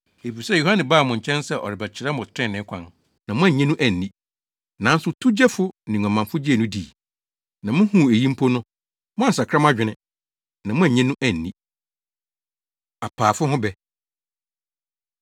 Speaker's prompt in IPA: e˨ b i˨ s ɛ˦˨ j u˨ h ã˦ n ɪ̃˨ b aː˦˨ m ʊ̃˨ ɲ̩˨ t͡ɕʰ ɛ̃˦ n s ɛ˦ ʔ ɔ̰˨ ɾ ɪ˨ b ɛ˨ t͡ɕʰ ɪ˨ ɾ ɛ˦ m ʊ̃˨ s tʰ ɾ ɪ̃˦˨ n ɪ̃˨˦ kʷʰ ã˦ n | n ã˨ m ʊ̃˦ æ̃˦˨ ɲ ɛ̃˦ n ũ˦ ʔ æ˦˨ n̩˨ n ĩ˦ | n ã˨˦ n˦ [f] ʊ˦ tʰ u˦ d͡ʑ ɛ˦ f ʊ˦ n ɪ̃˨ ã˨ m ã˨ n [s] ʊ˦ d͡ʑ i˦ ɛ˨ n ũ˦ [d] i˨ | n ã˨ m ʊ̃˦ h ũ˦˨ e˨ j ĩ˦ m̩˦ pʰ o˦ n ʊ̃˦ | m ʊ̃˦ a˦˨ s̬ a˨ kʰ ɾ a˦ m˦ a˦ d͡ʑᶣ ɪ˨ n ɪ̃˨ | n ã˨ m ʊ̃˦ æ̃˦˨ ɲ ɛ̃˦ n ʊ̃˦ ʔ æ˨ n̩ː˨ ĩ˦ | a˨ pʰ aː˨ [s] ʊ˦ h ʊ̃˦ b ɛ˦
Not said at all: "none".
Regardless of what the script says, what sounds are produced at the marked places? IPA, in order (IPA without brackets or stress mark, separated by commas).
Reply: s, f, d, f